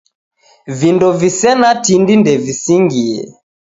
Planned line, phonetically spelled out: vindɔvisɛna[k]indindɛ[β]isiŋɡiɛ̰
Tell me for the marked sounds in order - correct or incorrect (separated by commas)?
incorrect, incorrect